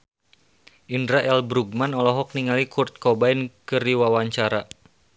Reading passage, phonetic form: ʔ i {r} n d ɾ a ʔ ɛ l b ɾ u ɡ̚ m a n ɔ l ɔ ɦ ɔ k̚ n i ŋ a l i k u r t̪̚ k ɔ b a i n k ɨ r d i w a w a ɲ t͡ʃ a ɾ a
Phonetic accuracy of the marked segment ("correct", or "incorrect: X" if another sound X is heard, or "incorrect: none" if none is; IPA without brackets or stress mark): incorrect: none